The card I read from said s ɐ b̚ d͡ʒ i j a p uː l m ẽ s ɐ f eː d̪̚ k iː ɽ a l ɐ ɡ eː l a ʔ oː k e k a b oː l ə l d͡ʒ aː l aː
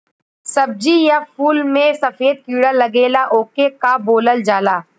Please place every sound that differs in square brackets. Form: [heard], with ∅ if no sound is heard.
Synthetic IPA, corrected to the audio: s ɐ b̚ d͡ʒ i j a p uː l m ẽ s ɐ f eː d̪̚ k iː ɽ a l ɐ ɡ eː l a ʔ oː k e k a b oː l ə l d͡ʒ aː l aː